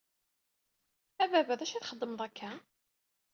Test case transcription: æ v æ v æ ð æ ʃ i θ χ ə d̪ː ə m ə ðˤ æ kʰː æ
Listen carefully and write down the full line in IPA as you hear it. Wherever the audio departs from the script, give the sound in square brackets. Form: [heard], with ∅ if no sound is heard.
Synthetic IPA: æ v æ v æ ð æ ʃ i θ χ ə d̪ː ə m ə ðˤ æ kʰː æ